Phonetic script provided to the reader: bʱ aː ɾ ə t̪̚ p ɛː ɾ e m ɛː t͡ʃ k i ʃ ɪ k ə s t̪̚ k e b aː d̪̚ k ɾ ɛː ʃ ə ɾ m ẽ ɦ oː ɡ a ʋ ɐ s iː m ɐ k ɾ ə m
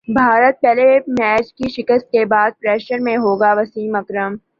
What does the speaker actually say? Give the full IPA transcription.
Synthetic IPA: bʱ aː ɾ ə t̪̚ p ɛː l e m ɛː t͡ʃ k i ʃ ɪ k ə s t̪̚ k e b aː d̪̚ p ɾ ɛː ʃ ə ɾ m ẽ ɦ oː ɡ a ʋ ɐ s iː m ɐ k ɾ ə m